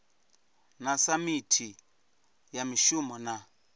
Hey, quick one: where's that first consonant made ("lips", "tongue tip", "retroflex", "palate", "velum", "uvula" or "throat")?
tongue tip